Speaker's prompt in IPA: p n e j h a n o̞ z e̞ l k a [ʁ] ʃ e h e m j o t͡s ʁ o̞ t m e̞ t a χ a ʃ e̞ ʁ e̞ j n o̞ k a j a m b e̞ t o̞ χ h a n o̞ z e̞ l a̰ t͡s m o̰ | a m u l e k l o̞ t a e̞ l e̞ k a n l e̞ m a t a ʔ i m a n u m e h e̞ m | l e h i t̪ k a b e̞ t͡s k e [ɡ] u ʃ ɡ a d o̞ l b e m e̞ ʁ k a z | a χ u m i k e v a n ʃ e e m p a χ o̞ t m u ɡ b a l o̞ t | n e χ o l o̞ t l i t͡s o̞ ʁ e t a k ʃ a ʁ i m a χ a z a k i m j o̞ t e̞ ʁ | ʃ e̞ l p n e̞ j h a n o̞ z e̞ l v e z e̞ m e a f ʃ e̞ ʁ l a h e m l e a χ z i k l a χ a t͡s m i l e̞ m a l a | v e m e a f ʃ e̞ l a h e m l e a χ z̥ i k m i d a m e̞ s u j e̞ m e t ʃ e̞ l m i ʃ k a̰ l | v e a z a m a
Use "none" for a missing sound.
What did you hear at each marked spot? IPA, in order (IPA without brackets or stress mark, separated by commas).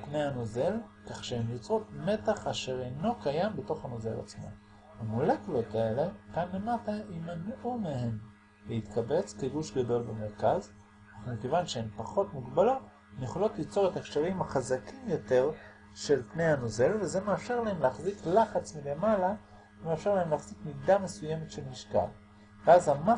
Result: χ, ɡ